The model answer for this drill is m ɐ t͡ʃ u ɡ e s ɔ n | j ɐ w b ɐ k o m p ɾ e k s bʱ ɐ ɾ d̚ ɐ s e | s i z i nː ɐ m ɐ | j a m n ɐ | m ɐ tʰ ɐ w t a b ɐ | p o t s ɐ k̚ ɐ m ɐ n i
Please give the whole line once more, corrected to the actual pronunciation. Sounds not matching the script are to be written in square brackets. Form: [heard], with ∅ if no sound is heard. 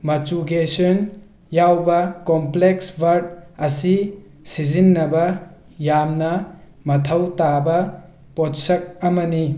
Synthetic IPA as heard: m ɐ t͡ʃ u ɡ e s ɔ n | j [a] w b ɐ k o m p [l] e k s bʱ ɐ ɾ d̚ ɐ s [i] | s i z i nː ɐ [b] ɐ | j a m n ɐ | m ɐ tʰ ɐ w t a b ɐ | p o t s ɐ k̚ ɐ m ɐ n i